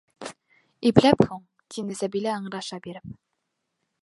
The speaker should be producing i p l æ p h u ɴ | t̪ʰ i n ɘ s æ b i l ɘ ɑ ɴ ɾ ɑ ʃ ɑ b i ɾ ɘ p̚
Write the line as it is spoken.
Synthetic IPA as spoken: i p l æ p h u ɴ | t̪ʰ i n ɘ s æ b i l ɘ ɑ ɴ ɾ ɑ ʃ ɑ b i ɾ ɘ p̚